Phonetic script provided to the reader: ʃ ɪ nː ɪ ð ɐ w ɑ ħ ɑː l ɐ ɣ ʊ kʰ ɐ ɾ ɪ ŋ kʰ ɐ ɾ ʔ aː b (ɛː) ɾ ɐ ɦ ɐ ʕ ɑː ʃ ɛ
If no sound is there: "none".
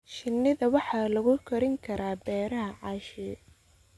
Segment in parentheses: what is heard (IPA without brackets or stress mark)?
ɛː